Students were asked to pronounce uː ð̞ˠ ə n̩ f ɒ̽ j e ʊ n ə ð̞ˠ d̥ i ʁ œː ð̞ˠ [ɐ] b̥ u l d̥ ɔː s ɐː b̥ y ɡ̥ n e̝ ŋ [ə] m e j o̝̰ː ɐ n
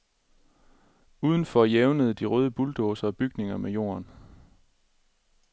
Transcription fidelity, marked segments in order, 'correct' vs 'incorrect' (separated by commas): incorrect, incorrect